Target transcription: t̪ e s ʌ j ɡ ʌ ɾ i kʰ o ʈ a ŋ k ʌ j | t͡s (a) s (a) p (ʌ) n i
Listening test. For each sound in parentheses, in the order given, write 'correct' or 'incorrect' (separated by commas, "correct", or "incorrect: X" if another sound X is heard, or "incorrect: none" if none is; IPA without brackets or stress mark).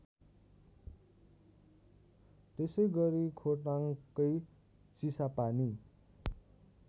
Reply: incorrect: i, correct, incorrect: a